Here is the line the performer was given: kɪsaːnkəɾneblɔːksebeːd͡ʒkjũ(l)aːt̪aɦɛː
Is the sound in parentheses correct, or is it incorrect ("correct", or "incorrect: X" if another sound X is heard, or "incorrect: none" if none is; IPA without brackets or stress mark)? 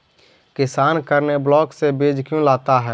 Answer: correct